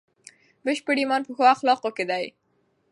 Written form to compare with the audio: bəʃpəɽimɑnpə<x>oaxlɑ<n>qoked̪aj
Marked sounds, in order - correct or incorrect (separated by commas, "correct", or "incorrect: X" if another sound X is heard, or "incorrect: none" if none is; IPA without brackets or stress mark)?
correct, incorrect: none